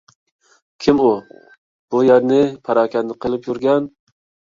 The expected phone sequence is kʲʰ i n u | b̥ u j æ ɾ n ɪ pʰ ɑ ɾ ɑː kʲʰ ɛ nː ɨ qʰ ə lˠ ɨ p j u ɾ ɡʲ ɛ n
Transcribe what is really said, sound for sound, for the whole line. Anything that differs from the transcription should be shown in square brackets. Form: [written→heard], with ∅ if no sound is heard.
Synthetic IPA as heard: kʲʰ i [n→m] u | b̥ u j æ ɾ n ɪ pʰ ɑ ɾ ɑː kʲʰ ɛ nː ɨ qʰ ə lˠ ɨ p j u ɾ ɡʲ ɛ n